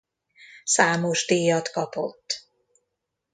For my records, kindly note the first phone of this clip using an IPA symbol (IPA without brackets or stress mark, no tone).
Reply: s